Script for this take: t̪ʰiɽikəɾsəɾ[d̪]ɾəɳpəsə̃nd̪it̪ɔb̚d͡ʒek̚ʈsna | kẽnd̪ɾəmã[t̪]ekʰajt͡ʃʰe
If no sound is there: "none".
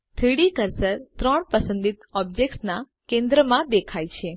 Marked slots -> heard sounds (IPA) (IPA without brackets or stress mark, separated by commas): t̪, d̪